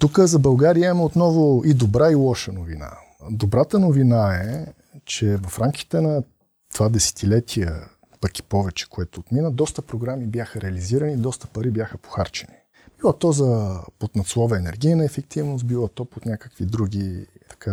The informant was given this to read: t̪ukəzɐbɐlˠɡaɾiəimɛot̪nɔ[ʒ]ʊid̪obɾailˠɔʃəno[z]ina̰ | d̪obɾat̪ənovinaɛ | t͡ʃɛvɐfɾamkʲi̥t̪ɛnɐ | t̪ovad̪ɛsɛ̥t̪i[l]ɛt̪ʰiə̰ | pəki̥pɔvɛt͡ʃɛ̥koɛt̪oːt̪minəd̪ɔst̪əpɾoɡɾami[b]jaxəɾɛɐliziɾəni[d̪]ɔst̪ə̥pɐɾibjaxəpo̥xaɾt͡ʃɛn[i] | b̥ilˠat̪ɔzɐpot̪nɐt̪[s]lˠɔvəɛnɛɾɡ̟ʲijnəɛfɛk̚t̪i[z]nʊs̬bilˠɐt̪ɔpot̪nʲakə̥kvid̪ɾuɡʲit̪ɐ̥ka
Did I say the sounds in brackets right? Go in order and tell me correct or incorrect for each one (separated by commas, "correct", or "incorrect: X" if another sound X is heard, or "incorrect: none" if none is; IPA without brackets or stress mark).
incorrect: v, incorrect: v, correct, correct, correct, correct, correct, incorrect: v